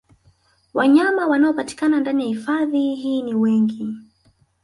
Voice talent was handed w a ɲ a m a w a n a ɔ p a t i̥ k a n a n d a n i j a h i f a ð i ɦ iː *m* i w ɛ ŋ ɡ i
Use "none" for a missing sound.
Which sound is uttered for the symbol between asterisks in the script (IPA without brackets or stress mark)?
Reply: n